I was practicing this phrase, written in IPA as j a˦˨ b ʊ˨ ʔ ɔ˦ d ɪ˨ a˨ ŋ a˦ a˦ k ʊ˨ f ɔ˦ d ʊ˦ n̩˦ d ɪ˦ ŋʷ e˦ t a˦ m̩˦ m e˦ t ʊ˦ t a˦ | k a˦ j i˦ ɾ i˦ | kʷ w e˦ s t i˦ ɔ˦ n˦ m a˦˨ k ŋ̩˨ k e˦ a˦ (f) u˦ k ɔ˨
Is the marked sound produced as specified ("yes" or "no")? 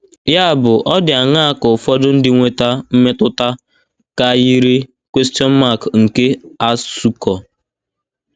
no